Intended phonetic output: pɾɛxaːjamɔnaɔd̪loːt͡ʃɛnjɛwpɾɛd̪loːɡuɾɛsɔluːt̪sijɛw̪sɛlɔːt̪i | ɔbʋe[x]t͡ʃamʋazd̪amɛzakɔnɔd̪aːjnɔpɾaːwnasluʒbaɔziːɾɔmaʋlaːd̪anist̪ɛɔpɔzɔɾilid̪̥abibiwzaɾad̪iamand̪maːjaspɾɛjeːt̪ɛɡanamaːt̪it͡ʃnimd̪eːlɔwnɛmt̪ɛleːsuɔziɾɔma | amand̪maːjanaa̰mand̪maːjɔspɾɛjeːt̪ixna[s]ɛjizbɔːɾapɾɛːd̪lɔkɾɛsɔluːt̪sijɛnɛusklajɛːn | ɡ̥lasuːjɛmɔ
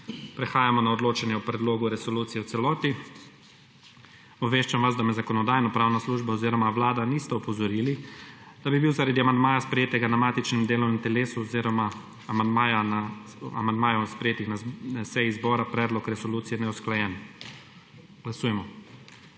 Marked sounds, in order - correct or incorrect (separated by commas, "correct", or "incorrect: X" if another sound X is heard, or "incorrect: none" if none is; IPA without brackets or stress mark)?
incorrect: ʃ, correct